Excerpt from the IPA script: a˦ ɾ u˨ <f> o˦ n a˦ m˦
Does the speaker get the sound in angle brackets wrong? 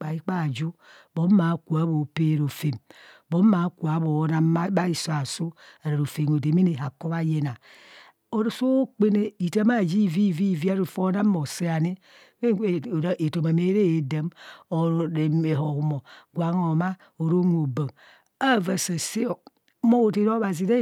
no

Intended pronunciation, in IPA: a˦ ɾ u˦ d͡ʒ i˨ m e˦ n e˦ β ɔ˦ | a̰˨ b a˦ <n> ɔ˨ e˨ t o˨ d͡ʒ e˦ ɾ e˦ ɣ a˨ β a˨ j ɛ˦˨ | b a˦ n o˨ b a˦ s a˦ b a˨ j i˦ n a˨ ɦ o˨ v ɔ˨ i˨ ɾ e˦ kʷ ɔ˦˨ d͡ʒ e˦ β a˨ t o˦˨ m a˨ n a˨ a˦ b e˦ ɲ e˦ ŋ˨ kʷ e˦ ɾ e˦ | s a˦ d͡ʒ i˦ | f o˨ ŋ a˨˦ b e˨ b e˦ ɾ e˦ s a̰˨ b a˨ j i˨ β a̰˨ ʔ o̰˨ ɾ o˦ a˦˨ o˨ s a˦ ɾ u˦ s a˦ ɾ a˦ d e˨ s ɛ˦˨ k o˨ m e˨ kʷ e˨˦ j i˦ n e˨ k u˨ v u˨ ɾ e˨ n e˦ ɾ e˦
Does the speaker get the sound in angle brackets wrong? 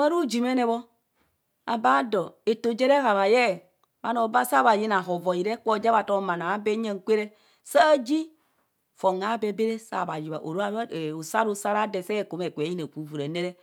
yes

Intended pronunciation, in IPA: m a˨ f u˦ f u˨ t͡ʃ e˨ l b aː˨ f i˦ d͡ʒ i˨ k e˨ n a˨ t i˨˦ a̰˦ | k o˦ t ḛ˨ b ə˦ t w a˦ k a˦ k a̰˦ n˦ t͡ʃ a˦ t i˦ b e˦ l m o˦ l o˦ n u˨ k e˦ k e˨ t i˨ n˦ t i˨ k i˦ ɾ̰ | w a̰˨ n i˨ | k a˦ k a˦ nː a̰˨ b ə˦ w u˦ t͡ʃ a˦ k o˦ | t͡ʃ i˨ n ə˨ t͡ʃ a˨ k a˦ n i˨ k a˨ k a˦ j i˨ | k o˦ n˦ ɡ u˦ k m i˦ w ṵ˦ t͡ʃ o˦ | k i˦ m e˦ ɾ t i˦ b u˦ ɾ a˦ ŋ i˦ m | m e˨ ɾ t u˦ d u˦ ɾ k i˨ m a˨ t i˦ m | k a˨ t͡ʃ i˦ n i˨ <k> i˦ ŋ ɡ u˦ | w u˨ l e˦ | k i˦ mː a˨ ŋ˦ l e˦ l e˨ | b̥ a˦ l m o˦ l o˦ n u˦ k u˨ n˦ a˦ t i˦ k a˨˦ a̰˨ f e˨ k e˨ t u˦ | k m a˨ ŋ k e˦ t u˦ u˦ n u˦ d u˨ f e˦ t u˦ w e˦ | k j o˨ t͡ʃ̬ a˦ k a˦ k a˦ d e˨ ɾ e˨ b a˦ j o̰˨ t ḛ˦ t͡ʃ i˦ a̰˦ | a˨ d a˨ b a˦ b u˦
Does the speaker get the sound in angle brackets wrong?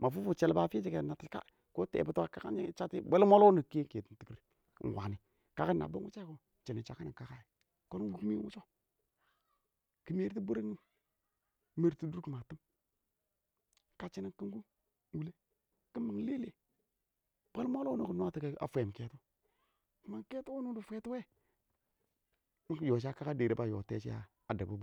no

